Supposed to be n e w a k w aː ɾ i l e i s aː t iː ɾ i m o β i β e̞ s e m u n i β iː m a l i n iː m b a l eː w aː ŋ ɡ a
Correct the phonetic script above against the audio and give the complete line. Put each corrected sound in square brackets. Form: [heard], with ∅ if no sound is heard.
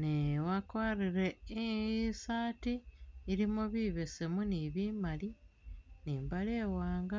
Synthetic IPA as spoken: n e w a k w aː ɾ i [ɾ] e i s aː t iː ɾ i m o β i β e̞ s e m u n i β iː m a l i n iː m b a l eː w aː ŋ ɡ a